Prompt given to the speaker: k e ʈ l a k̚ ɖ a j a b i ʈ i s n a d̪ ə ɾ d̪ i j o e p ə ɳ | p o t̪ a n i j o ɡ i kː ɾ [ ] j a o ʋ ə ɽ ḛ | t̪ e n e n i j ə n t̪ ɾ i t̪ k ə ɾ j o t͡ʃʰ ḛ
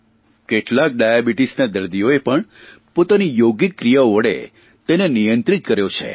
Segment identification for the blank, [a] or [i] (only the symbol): i